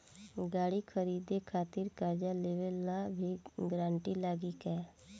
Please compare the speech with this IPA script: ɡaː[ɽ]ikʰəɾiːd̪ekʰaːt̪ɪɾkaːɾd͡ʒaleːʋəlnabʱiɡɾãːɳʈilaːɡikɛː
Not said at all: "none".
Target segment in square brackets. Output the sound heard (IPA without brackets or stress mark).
ɽ